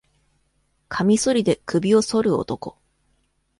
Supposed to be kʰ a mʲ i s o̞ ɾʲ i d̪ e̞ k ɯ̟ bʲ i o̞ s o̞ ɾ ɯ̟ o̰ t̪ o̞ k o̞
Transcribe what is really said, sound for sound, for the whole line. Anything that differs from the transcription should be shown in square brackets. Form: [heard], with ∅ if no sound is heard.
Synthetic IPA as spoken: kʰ a mʲ i s o̞ ɾʲ i d̪ e̞ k ɯ̟ bʲ i o̞ s o̞ ɾ ɯ̟ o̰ t̪ o̞ k o̞